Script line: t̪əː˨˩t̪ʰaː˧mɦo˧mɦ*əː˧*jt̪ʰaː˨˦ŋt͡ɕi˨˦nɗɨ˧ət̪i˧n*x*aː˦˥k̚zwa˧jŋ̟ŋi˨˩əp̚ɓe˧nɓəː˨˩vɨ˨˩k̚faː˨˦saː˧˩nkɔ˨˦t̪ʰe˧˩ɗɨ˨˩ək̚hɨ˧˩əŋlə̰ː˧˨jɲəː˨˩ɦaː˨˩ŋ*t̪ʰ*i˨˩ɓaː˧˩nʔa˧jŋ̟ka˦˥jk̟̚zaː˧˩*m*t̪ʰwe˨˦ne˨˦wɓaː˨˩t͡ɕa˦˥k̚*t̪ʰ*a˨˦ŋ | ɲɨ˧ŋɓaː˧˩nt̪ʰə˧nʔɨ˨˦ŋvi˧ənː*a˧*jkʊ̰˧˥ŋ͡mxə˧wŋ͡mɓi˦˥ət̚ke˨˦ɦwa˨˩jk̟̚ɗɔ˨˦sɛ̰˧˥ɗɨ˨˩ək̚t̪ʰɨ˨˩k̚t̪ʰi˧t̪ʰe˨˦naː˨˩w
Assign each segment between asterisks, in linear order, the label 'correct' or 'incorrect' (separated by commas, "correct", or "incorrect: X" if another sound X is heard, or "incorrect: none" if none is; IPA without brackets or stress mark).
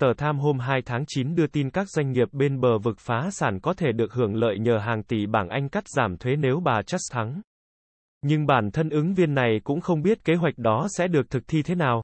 incorrect: aː˧, incorrect: k, incorrect: t̪, correct, correct, incorrect: a˨˩